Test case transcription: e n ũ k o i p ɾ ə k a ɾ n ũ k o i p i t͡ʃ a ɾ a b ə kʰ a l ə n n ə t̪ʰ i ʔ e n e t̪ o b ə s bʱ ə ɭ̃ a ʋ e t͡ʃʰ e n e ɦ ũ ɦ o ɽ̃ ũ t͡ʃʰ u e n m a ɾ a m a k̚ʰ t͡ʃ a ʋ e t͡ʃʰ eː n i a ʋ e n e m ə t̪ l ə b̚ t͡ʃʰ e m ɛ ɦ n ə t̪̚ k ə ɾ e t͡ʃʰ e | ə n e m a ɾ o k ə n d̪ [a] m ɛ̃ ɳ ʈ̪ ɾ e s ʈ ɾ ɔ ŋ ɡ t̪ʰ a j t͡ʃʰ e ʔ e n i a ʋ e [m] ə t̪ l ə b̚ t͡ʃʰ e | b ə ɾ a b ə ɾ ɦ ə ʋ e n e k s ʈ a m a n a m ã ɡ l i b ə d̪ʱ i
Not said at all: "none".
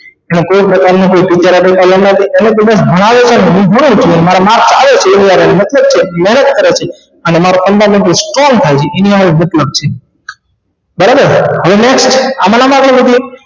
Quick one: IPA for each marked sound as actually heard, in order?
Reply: a, m

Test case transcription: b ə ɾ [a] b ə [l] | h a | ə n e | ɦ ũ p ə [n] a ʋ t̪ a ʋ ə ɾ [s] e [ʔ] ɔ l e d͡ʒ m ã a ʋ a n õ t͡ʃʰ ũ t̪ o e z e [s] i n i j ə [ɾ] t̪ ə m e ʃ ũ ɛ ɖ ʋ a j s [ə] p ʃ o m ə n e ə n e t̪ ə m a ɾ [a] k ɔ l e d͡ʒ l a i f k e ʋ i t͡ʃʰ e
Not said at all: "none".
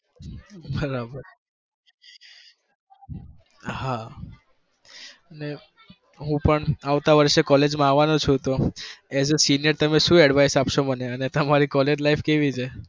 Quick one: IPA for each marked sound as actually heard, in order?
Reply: a, ɾ, ɳ, ʃ, k, s, ɾ, a, i

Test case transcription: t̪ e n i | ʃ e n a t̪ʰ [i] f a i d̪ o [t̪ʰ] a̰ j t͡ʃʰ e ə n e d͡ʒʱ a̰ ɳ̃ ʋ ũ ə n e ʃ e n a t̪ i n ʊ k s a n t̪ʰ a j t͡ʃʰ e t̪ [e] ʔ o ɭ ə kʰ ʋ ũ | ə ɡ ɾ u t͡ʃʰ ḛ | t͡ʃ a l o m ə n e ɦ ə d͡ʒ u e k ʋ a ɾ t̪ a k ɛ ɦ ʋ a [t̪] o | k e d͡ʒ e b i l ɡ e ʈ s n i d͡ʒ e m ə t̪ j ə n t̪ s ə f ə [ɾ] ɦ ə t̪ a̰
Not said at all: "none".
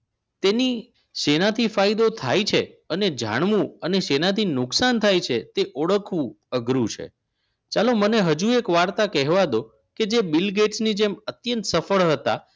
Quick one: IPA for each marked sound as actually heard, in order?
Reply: i, t̪ʰ, e, d̪, ɭ

